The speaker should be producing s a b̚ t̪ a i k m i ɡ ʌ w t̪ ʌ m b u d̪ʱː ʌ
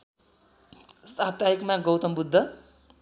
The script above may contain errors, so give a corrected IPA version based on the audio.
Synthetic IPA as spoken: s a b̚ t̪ a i k m a ɡ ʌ w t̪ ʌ m b u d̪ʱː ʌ